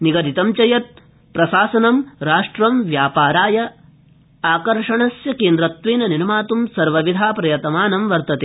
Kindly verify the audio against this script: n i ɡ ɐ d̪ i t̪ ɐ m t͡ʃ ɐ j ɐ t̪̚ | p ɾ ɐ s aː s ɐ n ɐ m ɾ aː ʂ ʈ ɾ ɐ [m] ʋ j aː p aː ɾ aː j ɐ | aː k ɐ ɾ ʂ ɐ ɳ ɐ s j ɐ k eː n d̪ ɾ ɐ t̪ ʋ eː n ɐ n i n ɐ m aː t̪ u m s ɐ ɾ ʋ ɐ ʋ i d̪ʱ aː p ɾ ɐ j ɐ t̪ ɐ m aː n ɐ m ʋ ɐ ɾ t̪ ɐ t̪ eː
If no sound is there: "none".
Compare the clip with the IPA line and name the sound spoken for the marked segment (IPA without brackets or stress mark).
m